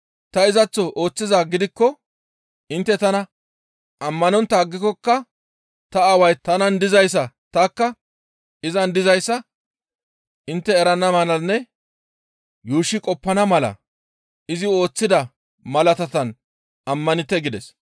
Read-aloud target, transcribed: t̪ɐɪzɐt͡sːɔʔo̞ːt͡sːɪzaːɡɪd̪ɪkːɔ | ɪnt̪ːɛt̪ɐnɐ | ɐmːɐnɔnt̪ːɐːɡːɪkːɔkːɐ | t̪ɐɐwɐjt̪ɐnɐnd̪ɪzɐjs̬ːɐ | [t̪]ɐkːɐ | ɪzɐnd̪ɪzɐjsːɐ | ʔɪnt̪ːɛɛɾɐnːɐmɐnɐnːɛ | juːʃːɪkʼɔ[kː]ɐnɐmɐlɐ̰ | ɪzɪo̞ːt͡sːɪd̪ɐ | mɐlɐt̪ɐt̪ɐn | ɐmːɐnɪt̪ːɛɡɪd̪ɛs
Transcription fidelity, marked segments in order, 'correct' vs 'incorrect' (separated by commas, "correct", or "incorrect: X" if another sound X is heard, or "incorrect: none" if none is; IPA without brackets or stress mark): correct, incorrect: pː